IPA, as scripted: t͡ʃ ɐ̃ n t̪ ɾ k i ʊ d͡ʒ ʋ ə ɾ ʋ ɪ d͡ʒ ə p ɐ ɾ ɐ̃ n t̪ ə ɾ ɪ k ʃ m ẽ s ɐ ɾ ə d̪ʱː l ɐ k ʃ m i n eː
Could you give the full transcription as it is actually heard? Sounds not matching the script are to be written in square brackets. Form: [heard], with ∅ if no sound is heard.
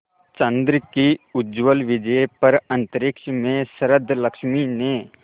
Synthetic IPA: t͡ʃ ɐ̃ n [d̪] ɾ k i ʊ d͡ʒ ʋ ə [l] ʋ ɪ d͡ʒ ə p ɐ ɾ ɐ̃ n t̪ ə ɾ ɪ k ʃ m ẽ s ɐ ɾ ə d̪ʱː l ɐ k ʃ m i n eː